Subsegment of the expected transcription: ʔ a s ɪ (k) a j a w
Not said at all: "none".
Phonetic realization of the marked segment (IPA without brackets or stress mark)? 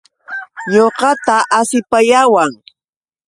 p